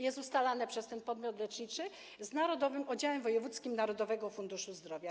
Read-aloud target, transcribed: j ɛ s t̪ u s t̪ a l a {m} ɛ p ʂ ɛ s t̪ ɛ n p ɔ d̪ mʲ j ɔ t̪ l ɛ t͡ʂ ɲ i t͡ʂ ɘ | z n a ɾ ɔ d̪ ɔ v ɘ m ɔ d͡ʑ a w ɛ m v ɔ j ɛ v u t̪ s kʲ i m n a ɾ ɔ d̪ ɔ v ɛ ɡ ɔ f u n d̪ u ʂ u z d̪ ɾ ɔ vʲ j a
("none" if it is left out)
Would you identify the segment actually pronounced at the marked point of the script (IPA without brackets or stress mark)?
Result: n